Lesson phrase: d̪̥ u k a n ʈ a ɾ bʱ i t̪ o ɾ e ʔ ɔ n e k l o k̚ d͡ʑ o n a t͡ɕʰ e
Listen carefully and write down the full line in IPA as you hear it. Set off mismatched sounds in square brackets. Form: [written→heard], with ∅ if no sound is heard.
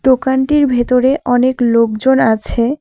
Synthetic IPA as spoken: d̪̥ [u→o] k a n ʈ [a→i] ɾ bʱ [i→e] t̪ o ɾ e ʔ ɔ n e k l o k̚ d͡ʑ o n a t͡ɕʰ e